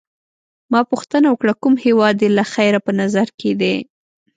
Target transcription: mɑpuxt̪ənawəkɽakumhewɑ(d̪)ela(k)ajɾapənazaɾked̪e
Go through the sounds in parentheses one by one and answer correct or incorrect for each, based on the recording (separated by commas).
correct, incorrect